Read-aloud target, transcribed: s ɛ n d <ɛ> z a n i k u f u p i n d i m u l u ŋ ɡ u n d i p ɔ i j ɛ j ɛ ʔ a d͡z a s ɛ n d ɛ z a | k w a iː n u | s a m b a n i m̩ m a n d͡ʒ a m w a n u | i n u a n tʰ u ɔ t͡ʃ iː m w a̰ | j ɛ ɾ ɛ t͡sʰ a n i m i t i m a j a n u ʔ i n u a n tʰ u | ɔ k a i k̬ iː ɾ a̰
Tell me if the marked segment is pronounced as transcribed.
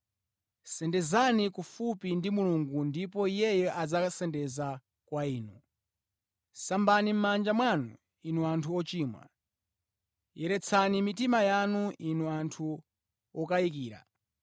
yes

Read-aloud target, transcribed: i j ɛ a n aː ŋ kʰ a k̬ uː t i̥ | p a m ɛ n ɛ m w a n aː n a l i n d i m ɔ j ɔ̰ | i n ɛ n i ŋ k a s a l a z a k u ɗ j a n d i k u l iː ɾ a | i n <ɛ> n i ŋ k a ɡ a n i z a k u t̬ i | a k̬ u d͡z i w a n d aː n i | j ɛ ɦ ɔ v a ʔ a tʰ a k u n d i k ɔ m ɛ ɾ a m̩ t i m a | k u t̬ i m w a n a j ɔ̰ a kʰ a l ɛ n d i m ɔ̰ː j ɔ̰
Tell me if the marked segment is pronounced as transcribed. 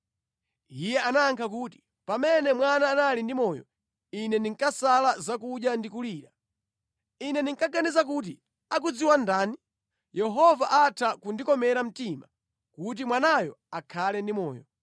yes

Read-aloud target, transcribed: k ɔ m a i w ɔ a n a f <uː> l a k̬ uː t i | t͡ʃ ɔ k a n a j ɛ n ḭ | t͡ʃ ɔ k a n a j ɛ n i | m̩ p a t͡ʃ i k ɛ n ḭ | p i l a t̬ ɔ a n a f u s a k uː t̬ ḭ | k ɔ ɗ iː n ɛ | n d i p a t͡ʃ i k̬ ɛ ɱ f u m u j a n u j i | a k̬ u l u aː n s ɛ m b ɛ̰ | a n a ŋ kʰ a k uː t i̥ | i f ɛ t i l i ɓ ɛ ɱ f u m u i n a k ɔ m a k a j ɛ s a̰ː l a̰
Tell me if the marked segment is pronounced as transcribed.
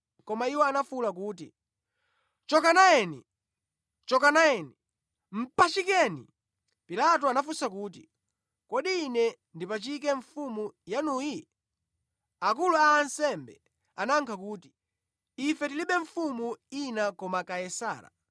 no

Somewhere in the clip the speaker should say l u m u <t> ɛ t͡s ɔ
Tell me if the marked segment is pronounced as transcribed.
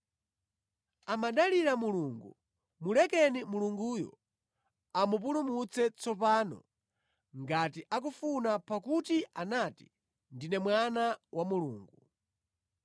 no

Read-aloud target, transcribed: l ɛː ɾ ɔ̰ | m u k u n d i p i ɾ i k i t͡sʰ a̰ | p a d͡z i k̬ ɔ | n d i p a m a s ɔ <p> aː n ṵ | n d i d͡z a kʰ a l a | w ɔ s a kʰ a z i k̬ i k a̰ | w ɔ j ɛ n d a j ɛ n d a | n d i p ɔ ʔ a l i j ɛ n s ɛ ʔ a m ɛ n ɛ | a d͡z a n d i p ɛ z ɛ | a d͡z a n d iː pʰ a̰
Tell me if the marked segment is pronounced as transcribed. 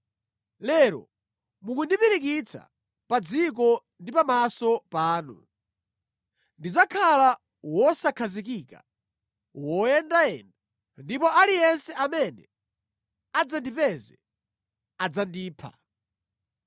yes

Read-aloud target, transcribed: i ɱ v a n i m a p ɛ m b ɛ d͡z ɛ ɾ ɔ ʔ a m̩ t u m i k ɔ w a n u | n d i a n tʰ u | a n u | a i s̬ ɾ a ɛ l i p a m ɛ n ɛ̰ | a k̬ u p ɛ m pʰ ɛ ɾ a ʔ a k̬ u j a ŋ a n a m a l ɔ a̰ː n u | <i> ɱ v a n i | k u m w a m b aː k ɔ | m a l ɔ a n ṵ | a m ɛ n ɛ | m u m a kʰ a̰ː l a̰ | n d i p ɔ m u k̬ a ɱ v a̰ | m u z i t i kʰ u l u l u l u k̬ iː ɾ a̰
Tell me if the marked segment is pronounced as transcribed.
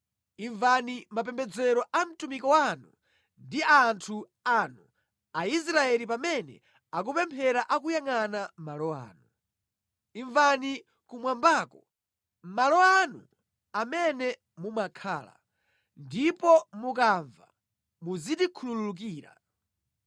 yes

